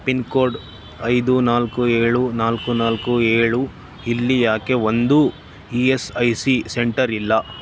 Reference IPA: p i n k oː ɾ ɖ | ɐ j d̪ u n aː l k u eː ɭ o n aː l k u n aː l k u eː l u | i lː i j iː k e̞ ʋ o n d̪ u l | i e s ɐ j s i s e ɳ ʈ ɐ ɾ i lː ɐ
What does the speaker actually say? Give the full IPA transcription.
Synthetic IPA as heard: p i n k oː ɾ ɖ | ɐ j d̪ u n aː l k u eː ɭ u n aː l k u n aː l k u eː ɭ u | i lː i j aː k e̞ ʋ o n d̪ u | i e s ɐ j s i s e ɳ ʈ ɐ ɾ i lː ɐ